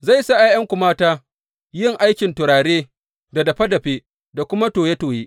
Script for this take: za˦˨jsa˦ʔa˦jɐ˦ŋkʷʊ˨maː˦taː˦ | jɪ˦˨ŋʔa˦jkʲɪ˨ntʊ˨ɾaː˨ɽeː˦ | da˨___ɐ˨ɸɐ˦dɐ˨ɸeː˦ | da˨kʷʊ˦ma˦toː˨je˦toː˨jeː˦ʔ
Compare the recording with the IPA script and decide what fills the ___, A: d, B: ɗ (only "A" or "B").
A